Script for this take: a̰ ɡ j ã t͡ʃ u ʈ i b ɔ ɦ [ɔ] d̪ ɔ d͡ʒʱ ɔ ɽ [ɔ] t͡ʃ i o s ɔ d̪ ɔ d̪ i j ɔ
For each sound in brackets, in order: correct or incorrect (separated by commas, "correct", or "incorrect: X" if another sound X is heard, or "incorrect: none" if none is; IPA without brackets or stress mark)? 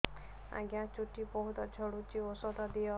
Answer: incorrect: u, incorrect: u